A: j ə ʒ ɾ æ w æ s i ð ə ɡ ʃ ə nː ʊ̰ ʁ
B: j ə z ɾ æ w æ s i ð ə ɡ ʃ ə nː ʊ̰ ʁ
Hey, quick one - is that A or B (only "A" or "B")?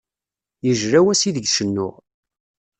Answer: A